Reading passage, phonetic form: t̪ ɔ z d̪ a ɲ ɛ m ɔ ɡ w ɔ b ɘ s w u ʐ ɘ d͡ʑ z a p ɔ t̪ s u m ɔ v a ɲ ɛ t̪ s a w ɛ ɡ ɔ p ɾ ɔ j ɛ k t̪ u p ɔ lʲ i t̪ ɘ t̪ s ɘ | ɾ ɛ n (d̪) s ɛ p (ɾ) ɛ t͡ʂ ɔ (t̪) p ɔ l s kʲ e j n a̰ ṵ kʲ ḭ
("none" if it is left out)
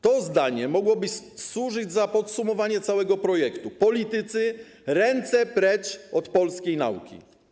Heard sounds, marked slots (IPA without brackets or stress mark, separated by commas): t̪, ɾ, t̪